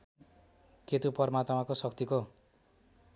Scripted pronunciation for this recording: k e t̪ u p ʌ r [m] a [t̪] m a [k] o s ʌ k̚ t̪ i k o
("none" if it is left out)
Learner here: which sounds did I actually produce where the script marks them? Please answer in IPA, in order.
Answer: m, t̪, k

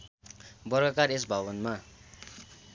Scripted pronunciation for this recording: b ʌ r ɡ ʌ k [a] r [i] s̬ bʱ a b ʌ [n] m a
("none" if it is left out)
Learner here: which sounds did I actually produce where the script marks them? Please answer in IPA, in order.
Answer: a, e, n

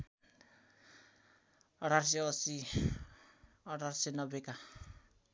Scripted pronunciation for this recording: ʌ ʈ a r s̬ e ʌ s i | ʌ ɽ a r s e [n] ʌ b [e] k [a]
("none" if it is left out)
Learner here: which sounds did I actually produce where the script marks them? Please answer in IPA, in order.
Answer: n, e, a

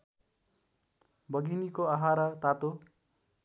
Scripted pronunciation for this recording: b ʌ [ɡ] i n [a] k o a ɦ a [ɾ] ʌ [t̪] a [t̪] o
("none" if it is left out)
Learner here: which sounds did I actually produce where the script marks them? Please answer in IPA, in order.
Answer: ɡ, i, ɾ, t̪, t̪

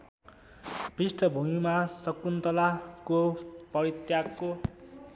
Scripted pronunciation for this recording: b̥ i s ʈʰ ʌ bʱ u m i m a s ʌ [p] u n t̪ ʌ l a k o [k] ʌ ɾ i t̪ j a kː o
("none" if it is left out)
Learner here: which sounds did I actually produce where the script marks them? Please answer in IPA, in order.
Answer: k, p

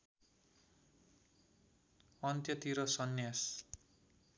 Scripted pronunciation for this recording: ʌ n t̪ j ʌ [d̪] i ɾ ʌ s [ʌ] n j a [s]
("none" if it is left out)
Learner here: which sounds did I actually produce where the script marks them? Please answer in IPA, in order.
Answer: t̪, ʌ, s

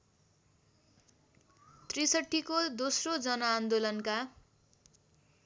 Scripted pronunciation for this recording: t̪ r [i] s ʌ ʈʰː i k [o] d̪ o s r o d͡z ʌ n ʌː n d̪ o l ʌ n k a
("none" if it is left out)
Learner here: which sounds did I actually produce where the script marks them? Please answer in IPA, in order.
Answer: i, o

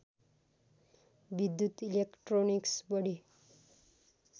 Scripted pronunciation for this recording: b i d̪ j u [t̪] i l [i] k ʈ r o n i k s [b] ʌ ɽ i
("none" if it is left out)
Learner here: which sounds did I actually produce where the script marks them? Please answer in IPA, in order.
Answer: t̪, e, b

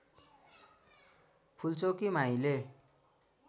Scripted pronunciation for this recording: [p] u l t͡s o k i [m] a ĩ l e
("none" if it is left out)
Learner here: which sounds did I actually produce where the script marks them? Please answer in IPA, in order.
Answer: pʰ, m

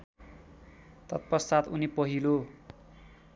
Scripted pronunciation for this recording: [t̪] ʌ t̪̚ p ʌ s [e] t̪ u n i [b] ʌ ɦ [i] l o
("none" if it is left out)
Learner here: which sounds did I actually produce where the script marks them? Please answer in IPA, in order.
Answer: t̪, a, p, i

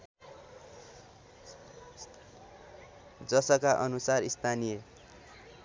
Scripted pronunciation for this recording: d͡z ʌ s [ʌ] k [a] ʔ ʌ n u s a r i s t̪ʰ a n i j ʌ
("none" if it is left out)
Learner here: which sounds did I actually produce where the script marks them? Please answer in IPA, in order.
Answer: ʌ, a

